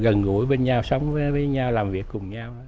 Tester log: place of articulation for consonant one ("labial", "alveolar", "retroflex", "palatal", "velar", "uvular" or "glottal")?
velar